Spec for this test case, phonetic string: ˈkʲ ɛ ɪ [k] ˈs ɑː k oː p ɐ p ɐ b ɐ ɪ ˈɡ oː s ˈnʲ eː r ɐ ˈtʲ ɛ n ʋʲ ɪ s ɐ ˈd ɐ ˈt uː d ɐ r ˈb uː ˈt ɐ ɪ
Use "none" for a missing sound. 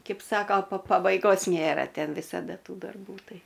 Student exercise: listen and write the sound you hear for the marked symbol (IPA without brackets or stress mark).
p